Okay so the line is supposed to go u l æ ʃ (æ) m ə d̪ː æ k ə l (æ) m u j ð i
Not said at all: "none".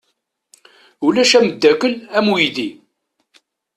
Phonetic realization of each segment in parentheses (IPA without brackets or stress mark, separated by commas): æ, æ